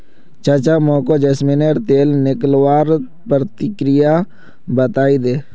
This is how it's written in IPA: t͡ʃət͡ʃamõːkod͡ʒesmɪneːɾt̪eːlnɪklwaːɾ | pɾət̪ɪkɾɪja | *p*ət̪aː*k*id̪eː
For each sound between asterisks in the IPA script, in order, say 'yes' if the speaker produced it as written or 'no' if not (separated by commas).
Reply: no, no